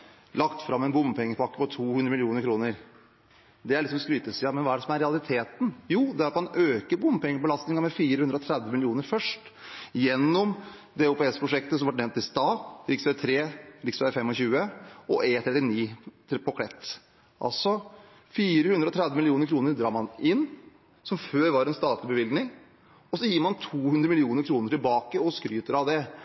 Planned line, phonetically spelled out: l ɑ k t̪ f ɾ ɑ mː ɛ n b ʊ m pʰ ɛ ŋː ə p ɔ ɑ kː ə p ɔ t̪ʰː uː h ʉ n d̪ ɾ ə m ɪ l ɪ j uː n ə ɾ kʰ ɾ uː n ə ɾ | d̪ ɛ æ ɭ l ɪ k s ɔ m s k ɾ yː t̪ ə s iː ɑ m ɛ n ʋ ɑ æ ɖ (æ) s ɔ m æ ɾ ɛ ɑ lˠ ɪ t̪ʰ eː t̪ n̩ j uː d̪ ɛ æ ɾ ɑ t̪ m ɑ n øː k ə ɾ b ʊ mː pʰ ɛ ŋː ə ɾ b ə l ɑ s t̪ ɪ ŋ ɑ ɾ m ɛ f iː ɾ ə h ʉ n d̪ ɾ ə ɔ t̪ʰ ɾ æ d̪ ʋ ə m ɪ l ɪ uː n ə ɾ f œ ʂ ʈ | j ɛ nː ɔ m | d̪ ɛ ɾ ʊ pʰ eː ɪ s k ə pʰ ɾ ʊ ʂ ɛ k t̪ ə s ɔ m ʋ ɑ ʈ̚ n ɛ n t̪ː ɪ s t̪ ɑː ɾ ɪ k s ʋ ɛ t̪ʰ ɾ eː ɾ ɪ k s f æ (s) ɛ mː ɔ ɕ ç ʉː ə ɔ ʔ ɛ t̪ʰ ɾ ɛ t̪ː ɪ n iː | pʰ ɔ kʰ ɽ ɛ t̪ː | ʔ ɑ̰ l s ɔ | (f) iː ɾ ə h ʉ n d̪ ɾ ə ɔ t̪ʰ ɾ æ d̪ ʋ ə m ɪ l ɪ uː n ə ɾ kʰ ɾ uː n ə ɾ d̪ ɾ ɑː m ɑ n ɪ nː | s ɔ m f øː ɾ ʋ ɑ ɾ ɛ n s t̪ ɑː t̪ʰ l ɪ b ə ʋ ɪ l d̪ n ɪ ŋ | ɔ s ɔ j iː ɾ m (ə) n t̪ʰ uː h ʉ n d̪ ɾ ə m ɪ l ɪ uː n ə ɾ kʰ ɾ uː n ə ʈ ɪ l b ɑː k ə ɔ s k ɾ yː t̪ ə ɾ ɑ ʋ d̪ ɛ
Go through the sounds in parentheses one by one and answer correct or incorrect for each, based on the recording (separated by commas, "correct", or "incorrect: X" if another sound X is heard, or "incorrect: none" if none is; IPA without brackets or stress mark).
incorrect: ɛ, incorrect: f, correct, incorrect: ɑ